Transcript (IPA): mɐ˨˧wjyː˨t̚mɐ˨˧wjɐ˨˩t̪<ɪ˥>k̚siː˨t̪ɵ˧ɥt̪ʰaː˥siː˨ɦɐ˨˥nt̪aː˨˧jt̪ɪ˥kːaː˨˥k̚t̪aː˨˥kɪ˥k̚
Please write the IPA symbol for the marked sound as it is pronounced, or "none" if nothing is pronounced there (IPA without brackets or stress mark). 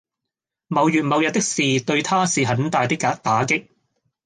ɪ˥